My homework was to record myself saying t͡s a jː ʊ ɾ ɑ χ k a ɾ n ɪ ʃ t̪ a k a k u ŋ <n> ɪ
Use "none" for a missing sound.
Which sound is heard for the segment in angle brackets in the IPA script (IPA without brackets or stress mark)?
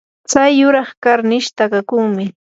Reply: m